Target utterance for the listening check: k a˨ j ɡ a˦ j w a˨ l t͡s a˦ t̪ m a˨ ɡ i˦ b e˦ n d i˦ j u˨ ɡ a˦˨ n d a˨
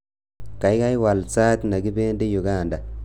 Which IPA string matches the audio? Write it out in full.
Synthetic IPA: k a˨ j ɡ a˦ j w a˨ l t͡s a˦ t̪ n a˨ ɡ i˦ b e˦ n d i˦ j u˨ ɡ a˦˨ n d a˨